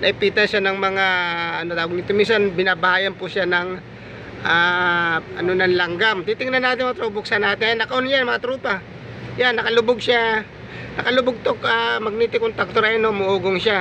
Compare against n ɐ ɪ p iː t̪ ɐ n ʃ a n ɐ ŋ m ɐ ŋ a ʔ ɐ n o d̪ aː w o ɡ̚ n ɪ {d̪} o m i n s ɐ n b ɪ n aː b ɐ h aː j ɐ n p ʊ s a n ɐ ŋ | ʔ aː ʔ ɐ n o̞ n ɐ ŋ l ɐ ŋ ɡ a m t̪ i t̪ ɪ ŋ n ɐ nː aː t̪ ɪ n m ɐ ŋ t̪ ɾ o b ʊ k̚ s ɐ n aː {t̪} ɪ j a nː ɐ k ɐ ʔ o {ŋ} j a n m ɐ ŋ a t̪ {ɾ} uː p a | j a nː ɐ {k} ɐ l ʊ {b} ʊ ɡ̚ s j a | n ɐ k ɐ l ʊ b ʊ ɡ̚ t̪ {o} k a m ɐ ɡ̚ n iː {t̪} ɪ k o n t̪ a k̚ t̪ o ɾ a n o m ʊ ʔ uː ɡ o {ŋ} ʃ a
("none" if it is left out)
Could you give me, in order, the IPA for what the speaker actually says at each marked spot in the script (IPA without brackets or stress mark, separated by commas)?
t̪, t̪, n, ɾ, k, b, o, t̪, ŋ